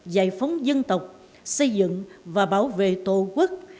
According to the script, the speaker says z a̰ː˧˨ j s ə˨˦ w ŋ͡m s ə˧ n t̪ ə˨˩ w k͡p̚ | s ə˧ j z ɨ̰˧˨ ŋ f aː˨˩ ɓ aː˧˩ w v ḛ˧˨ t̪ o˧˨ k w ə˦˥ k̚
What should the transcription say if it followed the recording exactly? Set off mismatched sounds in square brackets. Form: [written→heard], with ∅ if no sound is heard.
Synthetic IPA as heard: z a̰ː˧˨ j [s→f] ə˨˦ w ŋ͡m [s→z] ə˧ n t̪ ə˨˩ w k͡p̚ | s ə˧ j z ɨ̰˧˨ ŋ [f→v] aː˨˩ ɓ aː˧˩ w v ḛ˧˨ t̪ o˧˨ k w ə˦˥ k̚